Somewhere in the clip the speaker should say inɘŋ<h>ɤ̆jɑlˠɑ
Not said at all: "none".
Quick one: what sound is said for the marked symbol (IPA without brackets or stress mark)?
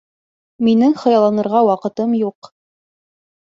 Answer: χ